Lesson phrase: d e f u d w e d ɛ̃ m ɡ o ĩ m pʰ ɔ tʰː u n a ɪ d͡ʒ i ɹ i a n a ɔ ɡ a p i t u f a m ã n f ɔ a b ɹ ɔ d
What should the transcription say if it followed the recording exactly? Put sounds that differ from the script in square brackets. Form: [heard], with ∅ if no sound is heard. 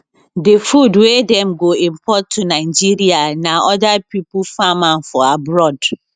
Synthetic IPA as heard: d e f u d w e d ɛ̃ m ɡ o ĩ m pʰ ɔ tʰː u n a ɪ d͡ʒ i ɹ i a n a ɔ [d] a p i [p] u f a m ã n f ɔ a b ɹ ɔ d